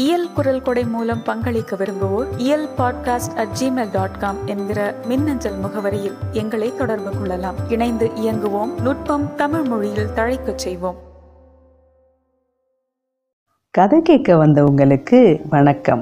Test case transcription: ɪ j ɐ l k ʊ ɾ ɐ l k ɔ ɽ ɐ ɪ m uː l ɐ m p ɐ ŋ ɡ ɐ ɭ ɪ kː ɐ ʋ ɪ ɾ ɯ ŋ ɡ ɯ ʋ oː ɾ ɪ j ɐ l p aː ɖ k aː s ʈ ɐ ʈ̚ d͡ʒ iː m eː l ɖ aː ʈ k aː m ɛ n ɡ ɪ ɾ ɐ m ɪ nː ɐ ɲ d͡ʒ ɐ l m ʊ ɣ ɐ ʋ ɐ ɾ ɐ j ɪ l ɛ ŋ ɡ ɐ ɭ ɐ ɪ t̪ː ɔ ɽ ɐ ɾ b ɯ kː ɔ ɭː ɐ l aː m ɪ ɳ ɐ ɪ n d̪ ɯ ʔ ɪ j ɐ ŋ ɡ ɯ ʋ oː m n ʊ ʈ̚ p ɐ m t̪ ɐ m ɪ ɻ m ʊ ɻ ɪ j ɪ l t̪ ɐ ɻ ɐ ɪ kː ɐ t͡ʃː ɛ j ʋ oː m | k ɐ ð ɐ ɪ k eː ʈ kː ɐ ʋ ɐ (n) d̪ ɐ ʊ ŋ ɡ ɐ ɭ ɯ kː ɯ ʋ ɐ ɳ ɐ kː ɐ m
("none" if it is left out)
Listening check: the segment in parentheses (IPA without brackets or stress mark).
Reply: n